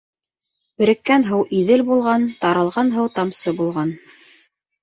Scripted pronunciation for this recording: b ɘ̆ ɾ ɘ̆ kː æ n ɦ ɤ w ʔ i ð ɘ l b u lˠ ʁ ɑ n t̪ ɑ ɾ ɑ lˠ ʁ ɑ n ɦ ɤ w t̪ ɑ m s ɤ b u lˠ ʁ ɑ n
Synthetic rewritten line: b ɘ̆ ɾ ɘ̆ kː æ n ɦ ɤ w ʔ i ð ɘ l b u lˠ ʁ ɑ n t̪ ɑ ɾ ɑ lˠ ʁ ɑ n ɦ ɤ w t̪ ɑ m s ɤ b u lˠ ʁ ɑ n